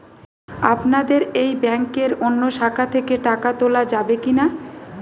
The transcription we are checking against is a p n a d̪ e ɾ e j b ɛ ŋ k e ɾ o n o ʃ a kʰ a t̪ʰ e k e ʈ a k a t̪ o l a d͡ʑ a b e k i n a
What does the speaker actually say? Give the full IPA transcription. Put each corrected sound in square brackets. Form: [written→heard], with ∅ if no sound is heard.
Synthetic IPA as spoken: a p n a d̪ e ɾ e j b ɛ ŋ k e ɾ o [n→nː] o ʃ a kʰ a t̪ʰ e k e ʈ a k a t̪ o l a d͡ʑ a b e k i n a